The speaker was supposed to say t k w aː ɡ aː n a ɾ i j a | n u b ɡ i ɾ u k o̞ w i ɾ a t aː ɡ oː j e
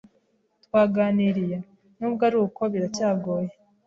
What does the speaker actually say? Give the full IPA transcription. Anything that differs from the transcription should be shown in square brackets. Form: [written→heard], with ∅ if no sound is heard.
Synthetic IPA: t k w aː ɡ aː n [a→i] ɾ i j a | n u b ɡ [i→a] ɾ u k o̞ [w→β] i ɾ a [t→c] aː ɡ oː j e